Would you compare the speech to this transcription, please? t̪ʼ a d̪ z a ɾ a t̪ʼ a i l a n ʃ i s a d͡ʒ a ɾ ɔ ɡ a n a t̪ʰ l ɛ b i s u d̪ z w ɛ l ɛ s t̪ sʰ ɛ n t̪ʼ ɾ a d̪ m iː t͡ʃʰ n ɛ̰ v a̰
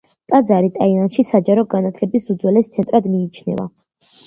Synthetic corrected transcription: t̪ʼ a d̪ z a ɾ i t̪ʼ a i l a n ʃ i s a d͡ʒ a ɾ ɔ ɡ a n a t̪ʰ l ɛ b i s u d̪ z w ɛ l ɛ s t̪ sʰ ɛ n t̪ʼ ɾ a d̪ m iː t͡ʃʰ n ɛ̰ v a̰